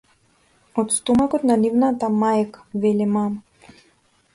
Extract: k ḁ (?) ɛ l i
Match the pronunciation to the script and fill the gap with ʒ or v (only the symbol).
v